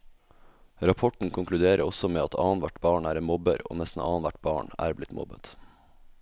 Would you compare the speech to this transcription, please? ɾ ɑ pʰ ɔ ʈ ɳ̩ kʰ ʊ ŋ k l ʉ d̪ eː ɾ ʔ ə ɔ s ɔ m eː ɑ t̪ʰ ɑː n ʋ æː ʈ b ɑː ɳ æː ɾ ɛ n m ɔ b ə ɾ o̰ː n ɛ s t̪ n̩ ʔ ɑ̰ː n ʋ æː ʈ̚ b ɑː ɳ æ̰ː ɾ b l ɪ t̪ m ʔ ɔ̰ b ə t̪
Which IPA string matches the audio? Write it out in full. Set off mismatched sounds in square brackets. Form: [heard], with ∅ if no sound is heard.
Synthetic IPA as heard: ɾ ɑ pʰ ɔ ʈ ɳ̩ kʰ ʊ ŋ k l ʉ d̪ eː ɾ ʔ ə ɔ s ɔ m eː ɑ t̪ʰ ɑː n ʋ [æ] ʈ b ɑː ɳ æː ɾ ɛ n m ɔ b ə ɾ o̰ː n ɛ s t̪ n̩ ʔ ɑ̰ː n ʋ [æ] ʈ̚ b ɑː ɳ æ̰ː ɾ b l ɪ t̪ m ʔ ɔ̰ b ə t̪